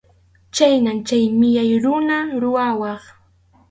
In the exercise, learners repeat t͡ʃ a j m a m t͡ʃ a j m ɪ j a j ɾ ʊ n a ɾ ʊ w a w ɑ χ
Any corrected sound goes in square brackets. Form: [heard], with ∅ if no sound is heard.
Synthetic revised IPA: t͡ʃ a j [n] a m t͡ʃ a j m ɪ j a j ɾ ʊ n a ɾ ʊ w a w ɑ χ